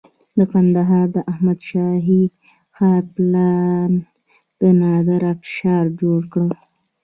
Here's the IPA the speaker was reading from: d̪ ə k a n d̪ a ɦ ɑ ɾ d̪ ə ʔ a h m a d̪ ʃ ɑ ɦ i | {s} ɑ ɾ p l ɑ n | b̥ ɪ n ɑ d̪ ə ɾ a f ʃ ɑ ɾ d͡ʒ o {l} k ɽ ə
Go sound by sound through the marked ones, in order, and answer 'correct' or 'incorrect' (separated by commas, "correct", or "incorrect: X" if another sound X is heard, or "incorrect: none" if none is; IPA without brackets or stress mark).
incorrect: x, incorrect: ɽ